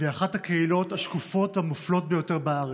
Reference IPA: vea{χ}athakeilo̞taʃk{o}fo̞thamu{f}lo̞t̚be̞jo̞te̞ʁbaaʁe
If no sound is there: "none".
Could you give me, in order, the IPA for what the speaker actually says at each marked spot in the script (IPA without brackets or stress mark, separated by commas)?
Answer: χ, u, f